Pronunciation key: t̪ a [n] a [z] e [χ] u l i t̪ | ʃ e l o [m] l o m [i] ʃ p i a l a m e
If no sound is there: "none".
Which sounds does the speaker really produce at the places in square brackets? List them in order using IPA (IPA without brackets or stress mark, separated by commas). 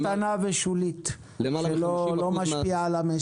n, v, ʃ, none, a